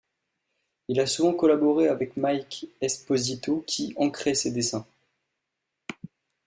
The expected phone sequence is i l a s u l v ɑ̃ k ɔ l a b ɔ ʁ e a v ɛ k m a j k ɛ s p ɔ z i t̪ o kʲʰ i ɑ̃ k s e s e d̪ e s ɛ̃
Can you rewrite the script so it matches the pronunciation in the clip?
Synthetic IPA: i l a s u v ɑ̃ k ɔ l a b ɔ ʁ e a v ɛ k m a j k ɛ s p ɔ z i t̪ o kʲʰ i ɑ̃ k χ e s e d̪ e s ɛ̃